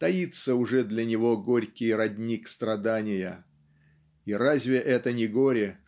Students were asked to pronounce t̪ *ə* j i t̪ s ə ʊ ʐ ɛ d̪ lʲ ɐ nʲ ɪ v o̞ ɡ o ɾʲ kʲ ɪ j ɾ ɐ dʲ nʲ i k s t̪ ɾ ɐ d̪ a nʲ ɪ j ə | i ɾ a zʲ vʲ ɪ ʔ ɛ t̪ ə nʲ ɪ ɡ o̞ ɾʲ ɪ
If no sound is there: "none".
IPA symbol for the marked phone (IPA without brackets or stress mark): ɐ